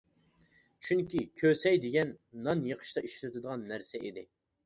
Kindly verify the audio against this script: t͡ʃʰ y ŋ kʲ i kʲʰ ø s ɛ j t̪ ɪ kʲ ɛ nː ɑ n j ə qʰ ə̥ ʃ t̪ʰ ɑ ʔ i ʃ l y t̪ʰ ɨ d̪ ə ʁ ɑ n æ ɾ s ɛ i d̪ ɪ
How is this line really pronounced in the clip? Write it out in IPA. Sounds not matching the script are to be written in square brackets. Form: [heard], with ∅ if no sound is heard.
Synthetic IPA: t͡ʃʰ y ŋ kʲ i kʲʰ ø s ɛ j [d̪] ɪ [ɡʲ] ɛ nː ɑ n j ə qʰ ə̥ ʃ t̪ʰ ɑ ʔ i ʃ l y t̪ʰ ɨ d̪ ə ʁ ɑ [nː] æ ɾ s ɛ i d̪ ɪ

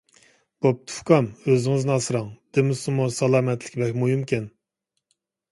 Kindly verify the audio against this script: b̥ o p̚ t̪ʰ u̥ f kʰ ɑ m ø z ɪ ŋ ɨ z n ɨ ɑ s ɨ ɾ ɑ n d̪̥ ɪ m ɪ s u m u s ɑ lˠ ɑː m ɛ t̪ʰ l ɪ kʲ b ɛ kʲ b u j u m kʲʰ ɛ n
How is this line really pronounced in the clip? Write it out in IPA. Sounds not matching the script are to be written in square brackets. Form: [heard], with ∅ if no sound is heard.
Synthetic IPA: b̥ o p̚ t̪ʰ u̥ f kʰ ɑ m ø z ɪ ŋ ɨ z n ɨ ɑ s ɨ ɾ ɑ [ŋ] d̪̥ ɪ m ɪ s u m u s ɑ lˠ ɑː m ɛ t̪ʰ l ɪ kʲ b ɛ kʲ [m] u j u m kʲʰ ɛ n

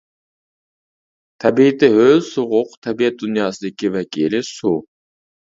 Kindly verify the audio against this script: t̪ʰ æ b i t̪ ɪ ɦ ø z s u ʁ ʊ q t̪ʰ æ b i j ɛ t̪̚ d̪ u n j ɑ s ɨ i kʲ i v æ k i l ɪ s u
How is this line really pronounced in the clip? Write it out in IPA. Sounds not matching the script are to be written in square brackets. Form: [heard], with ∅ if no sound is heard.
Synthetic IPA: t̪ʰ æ b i t̪ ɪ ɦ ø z s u ʁ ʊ q t̪ʰ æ b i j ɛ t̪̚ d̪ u n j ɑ s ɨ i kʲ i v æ k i l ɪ s u

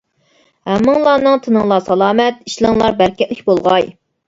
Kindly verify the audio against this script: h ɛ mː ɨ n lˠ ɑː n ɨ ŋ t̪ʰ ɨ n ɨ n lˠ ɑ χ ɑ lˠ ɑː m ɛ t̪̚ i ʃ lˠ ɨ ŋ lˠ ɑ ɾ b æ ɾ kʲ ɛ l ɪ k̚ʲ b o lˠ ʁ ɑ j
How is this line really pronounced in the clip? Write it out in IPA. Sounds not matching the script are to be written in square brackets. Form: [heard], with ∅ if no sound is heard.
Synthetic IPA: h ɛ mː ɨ [ŋ] lˠ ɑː n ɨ ŋ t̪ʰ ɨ n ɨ [ŋ] lˠ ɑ [s] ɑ lˠ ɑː m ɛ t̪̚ i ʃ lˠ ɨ ŋ lˠ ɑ ɾ b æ ɾ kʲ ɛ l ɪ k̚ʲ b o lˠ ʁ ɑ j

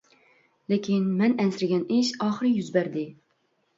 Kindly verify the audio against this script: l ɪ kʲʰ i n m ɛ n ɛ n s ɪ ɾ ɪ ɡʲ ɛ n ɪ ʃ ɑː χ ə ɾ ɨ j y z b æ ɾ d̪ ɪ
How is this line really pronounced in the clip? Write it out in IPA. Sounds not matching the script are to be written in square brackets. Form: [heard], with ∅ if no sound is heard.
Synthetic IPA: l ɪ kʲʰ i n m ɛ n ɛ n s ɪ ɾ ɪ ɡʲ ɛ n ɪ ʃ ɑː χ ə ɾ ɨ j y z b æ ɾ d̪ ɪ

